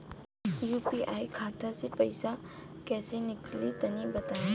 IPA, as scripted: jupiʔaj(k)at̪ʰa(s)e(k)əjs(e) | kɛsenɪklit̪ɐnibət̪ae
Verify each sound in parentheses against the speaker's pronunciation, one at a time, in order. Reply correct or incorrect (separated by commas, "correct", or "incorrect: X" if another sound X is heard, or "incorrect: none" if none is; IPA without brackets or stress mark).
incorrect: kʰ, correct, incorrect: p, incorrect: a